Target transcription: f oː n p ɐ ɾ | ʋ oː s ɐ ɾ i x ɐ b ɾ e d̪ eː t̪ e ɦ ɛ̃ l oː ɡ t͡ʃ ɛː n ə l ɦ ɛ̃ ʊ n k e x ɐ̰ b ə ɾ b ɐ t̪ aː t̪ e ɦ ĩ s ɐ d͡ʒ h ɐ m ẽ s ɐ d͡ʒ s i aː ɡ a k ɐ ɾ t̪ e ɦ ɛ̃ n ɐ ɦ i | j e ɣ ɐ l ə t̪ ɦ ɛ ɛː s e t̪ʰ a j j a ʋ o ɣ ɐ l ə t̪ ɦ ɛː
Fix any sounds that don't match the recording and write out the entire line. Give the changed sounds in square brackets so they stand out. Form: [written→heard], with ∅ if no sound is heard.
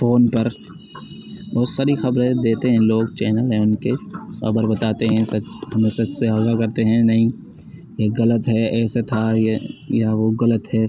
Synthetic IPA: f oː n p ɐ ɾ | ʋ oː s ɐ ɾ i x ɐ b ɾ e d̪ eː t̪ e ɦ ɛ̃ l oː ɡ t͡ʃ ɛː n ə l ɦ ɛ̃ ʊ n k e x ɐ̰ b ə ɾ b ɐ t̪ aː t̪ e ɦ [ĩ→ɛ̃] s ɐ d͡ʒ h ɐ m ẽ s ɐ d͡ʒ s [i→e] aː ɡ a k ɐ ɾ t̪ e ɦ ɛ̃ n ɐ ɦ [i→ĩ] | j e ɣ ɐ l ə t̪ ɦ ɛ ɛː s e t̪ʰ a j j a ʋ o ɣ ɐ l ə t̪ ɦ ɛː

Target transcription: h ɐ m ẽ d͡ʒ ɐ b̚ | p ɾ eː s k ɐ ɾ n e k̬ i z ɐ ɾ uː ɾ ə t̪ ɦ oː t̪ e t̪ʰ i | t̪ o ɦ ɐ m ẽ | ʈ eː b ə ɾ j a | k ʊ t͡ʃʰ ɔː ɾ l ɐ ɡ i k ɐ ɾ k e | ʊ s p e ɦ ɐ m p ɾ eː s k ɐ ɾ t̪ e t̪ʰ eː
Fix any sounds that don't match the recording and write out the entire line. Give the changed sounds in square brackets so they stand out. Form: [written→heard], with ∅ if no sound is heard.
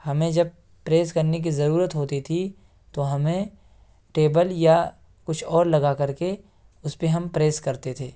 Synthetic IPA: h ɐ m ẽ d͡ʒ ɐ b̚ | p ɾ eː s k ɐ ɾ n e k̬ i z ɐ ɾ uː ɾ ə t̪ ɦ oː t̪ [e→i] t̪ʰ i | t̪ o ɦ ɐ m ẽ | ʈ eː b ə [ɾ→l] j a | k ʊ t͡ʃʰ ɔː ɾ l ɐ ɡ [i→a] k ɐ ɾ k e | ʊ s p e ɦ ɐ m p ɾ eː s k ɐ ɾ t̪ e t̪ʰ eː

